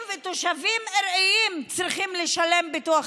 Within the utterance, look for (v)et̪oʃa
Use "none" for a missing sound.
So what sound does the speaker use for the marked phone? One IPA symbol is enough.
v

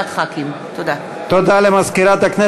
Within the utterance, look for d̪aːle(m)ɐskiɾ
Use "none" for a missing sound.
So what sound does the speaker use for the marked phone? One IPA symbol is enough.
m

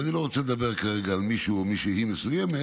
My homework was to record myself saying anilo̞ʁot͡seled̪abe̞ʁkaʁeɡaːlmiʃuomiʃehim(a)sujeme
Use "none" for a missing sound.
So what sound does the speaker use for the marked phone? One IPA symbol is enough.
e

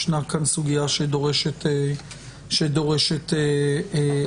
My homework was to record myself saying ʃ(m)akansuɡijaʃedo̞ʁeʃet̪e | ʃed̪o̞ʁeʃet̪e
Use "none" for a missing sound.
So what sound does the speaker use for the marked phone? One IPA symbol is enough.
n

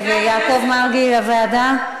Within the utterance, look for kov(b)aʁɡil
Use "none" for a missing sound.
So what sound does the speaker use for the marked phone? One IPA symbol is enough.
m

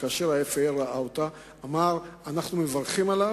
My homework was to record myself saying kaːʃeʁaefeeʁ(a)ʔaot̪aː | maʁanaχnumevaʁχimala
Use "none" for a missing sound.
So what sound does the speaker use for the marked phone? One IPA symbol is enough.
a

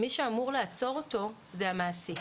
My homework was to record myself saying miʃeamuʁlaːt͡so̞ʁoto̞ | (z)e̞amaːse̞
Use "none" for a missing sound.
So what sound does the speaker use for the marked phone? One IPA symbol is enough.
z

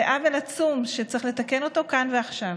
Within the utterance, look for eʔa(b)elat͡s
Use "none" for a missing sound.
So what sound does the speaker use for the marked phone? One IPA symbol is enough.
v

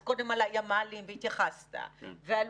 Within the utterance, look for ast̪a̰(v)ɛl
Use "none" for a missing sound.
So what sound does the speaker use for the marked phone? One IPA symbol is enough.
v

